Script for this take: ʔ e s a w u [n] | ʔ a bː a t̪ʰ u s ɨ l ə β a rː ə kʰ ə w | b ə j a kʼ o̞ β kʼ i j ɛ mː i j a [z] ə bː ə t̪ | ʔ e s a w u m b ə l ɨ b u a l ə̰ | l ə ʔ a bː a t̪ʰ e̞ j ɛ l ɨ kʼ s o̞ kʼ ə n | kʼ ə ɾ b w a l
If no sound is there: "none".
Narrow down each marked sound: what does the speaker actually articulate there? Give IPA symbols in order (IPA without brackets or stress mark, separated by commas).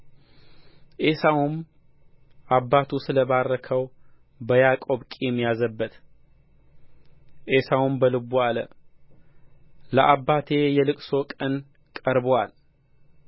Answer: m, z